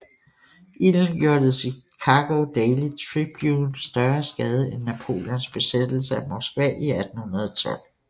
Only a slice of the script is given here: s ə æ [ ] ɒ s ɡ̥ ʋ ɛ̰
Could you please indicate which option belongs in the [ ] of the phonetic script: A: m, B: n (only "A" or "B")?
A